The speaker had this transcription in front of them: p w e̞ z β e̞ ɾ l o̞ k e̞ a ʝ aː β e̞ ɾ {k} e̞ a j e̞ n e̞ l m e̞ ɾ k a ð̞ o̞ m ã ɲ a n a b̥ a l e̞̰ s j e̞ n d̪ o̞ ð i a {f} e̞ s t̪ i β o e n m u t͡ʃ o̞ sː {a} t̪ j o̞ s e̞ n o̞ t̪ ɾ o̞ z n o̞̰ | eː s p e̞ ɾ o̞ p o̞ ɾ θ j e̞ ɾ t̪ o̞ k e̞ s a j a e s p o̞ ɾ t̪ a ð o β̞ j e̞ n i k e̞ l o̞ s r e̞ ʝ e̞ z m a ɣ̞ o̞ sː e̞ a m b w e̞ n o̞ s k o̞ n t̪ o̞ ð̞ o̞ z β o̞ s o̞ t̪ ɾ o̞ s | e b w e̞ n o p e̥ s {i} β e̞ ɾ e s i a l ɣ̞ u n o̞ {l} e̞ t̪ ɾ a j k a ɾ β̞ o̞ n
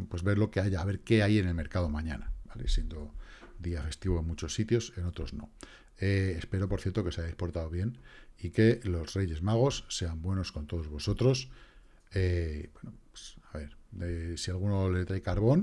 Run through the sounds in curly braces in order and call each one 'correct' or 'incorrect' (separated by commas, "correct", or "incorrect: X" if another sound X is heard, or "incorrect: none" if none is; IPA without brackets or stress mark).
correct, correct, incorrect: i, incorrect: a, correct